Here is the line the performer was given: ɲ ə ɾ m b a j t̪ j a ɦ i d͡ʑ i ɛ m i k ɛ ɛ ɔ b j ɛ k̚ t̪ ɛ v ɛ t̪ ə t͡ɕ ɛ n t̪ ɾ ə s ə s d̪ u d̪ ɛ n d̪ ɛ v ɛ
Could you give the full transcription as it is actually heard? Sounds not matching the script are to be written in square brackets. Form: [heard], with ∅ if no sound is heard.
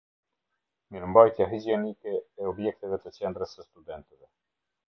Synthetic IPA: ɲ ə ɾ m b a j t̪ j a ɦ i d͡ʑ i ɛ [n] i k ɛ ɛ ɔ b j ɛ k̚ t̪ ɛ v ɛ t̪ ə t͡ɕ ɛ n [d̪] ɾ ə s ə s [t̪] u d̪ ɛ n [t̪] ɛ v ɛ